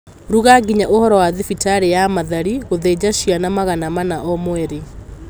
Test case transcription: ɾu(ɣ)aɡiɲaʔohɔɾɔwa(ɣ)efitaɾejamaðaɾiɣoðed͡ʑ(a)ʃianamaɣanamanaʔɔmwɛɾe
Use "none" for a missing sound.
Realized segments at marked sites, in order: ɣ, ð, a

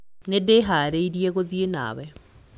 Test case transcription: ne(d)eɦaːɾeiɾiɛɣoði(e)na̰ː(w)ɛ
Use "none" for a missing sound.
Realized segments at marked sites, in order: d, e, w

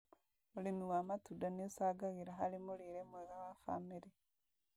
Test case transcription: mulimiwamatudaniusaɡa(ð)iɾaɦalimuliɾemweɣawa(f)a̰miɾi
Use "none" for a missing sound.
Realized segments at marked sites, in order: ɣ, f

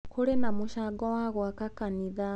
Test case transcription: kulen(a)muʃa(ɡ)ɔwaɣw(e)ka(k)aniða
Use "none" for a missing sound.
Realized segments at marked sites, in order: a, ɡ, a, k

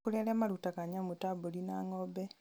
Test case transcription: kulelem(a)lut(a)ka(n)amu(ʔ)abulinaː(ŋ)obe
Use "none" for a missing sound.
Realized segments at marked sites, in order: a, a, ɲ, t, ŋ

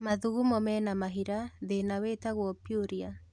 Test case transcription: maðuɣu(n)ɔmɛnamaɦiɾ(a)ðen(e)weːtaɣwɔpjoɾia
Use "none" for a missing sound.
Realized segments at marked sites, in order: m, a, a

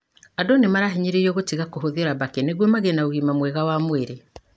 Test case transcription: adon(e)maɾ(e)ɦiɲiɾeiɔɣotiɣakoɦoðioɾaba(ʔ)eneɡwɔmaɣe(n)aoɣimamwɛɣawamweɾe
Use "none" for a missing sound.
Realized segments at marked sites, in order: e, a, k, n

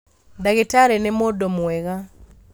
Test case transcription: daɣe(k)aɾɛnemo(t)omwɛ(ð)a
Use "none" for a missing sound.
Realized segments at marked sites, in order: t, d, ɣ

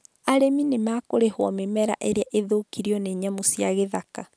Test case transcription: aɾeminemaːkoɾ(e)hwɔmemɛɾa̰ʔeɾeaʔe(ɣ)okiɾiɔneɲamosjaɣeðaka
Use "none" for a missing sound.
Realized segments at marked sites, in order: e, ð

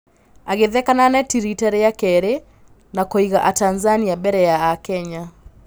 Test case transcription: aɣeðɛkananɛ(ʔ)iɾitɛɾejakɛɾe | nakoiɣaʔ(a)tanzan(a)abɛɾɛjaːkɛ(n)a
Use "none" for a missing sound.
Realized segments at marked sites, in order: t, a, i, ɲ

